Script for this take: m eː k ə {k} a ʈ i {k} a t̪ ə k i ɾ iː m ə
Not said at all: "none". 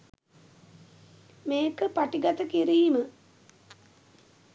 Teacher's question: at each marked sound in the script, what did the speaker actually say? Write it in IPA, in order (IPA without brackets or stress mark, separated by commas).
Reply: p, ɡ